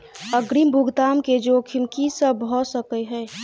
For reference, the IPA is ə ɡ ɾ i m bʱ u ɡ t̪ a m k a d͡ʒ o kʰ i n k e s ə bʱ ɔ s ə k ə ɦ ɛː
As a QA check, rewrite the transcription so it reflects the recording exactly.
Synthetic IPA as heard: ə ɡ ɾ i m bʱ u ɡ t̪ a m k e d͡ʒ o kʰ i m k i s ə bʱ ɔ s ə k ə ɦ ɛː